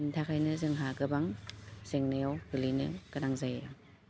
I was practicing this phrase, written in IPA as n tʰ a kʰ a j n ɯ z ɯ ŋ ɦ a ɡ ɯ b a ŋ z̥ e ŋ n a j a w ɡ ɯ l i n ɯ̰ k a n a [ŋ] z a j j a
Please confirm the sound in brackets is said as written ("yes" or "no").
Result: yes